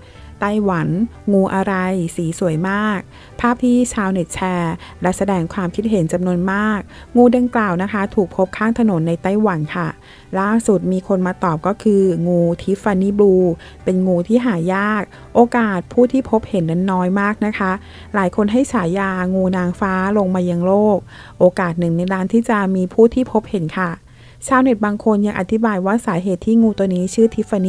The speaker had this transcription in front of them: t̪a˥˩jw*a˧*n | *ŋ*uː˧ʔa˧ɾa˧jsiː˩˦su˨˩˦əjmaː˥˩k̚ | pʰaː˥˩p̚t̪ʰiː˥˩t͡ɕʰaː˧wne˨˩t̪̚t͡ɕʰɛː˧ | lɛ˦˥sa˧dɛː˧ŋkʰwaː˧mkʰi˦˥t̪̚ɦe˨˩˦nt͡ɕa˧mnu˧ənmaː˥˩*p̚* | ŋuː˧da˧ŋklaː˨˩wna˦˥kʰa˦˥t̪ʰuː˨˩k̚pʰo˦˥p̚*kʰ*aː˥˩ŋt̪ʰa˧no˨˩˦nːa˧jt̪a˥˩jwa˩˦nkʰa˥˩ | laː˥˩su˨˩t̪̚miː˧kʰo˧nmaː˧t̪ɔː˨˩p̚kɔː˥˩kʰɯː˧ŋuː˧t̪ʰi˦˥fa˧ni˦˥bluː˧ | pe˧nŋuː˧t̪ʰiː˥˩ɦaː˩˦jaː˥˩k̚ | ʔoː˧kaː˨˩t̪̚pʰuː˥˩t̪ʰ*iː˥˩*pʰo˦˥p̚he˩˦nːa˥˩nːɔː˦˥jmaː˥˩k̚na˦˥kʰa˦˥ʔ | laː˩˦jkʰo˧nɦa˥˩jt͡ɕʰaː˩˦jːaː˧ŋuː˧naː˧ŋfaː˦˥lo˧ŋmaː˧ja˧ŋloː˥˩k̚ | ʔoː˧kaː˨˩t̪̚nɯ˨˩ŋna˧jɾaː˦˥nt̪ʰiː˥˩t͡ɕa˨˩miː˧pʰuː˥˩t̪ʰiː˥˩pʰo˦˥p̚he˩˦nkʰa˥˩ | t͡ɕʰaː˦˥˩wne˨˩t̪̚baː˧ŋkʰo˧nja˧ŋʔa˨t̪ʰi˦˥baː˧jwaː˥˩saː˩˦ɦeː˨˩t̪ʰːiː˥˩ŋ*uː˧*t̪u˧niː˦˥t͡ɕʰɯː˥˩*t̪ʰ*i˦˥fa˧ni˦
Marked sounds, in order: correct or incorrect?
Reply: incorrect, correct, incorrect, correct, correct, correct, correct

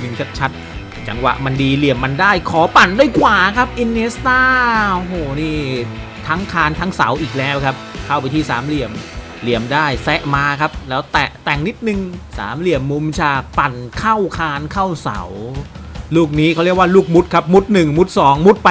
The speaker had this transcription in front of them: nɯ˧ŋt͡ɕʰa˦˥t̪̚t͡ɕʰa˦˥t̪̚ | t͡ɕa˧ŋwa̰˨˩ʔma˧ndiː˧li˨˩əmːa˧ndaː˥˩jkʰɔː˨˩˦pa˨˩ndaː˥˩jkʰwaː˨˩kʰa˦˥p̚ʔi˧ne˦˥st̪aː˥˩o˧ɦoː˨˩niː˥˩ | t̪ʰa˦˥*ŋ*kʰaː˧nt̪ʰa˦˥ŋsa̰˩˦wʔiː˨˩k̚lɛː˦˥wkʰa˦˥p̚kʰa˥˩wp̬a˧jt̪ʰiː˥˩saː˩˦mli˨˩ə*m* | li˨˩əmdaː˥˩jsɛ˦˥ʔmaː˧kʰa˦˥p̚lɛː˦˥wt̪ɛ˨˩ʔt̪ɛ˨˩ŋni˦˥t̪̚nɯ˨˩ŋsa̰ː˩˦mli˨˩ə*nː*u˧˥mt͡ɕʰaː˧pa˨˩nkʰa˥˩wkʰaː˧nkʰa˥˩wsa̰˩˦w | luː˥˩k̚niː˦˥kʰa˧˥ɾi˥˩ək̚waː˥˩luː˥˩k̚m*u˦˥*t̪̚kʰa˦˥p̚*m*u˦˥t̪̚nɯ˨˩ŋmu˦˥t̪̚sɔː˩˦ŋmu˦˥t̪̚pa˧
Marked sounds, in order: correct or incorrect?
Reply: correct, correct, incorrect, correct, correct

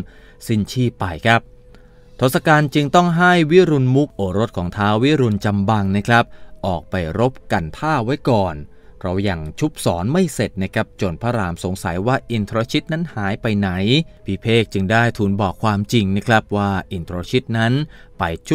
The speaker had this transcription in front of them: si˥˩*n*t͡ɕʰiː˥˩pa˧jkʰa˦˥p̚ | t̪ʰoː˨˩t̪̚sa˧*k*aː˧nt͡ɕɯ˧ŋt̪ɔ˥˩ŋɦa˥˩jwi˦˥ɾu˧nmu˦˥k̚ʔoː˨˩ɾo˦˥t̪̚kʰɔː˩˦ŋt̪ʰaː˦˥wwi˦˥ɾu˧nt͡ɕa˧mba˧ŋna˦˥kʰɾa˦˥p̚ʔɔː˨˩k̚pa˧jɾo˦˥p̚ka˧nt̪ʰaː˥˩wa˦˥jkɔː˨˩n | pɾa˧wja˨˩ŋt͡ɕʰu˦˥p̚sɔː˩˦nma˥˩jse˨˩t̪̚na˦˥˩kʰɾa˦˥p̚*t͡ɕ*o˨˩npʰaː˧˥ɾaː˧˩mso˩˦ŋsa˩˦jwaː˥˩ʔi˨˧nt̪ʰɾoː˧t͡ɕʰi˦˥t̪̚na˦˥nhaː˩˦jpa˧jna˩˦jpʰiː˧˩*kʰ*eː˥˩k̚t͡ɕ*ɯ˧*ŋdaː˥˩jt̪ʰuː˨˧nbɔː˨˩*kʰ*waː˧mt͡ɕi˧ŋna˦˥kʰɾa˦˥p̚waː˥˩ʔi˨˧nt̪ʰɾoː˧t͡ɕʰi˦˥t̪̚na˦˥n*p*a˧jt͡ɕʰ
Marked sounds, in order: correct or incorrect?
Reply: correct, correct, correct, incorrect, correct, correct, correct

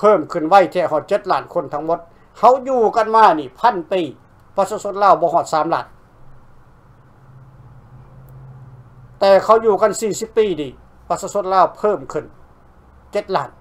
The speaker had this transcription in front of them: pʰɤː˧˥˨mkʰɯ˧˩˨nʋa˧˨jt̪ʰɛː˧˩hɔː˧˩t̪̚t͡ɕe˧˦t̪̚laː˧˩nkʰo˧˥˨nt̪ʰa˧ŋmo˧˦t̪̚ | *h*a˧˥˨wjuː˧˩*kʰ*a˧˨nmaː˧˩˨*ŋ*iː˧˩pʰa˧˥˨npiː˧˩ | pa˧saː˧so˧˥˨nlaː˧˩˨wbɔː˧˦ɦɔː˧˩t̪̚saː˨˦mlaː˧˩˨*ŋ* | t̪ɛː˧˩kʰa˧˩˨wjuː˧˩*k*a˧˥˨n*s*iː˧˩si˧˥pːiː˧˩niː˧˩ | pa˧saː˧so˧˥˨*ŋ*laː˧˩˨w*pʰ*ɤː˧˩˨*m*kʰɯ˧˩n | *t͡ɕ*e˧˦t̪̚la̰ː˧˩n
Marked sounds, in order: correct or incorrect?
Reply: correct, incorrect, incorrect, incorrect, correct, correct, incorrect, correct, correct, correct

